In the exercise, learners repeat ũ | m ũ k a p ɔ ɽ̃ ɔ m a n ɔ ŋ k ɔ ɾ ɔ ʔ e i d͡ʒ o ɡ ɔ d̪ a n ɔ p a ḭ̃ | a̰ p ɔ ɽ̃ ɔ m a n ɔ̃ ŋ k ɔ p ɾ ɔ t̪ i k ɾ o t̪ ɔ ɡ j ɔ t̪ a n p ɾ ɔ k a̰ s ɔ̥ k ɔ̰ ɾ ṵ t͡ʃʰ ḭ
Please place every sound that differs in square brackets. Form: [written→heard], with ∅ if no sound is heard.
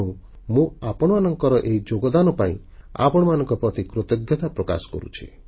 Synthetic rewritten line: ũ | m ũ [k→∅] a p ɔ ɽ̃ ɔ m a n ɔ ŋ k ɔ ɾ ɔ ʔ e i d͡ʒ o ɡ ɔ d̪ a n ɔ p a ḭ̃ | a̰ p ɔ ɽ̃ ɔ m a n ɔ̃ ŋ k ɔ p ɾ ɔ t̪ i k ɾ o t̪ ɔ ɡ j ɔ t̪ a [n→∅] p ɾ ɔ k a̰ s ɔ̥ k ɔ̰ ɾ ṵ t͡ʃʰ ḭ